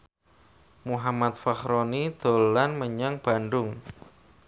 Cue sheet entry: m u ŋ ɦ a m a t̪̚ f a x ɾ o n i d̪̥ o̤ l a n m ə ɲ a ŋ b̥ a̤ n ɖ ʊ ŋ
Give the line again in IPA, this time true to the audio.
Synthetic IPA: m u ɦ a m a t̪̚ f a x ɾ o n i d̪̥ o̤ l a n m ə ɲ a ŋ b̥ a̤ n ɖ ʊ ŋ